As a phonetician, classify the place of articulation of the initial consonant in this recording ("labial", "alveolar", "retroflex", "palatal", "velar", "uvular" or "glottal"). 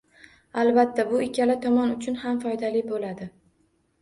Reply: alveolar